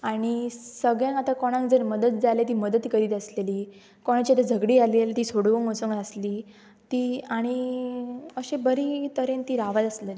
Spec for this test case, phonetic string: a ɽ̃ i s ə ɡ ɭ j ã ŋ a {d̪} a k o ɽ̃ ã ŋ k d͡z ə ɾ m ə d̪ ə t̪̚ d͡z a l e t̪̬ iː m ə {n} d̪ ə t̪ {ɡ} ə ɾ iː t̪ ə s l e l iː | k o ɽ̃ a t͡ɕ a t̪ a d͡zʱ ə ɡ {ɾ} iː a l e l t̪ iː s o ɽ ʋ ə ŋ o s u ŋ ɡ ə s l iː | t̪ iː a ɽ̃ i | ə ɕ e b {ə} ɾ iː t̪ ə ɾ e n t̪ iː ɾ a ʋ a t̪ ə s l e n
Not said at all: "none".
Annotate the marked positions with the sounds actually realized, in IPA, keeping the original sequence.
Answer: t̪, none, k, ɽ, ə

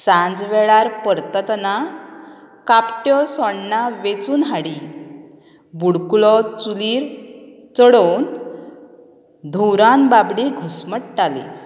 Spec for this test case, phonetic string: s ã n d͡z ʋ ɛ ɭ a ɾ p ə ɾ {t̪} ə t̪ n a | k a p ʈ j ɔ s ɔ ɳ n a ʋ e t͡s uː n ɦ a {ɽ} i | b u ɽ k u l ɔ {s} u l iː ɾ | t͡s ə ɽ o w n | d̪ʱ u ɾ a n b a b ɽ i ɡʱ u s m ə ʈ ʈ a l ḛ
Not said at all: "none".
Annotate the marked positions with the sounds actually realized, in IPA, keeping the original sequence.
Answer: t̪, ɽ, t͡s

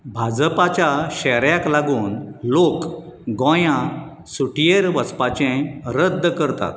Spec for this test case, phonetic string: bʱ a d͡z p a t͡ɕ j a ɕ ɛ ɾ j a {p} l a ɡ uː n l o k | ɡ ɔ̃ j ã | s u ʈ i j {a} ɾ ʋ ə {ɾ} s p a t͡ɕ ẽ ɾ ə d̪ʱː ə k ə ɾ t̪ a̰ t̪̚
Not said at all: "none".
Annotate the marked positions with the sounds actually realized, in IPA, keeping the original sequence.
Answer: k, e, none

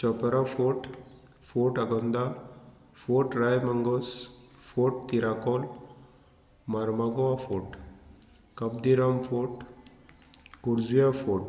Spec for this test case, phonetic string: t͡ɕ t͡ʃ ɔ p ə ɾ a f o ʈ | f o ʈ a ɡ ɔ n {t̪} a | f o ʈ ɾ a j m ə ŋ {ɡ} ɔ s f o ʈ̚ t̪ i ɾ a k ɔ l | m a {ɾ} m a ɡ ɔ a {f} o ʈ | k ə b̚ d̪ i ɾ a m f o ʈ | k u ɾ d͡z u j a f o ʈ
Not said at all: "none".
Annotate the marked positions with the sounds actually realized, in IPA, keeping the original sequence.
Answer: d̪, ɡ, ɾ, f

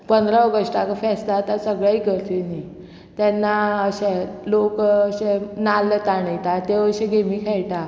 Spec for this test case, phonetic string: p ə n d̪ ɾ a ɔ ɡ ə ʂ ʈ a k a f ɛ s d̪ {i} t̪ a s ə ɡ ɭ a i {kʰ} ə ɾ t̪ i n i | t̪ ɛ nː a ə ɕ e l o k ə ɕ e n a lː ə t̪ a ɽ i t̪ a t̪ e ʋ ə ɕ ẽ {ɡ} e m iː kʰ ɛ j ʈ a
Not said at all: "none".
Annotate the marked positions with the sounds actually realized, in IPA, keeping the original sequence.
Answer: a, k, ɡ

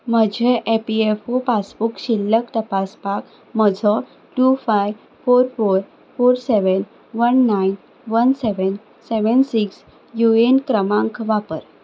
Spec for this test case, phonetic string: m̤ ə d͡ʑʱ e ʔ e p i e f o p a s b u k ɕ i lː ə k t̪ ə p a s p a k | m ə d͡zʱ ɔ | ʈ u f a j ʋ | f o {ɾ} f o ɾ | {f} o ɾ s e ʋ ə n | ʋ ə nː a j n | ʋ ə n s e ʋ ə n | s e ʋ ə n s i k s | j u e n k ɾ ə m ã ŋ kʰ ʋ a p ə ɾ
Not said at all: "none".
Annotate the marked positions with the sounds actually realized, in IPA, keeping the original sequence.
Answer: ɾ, f

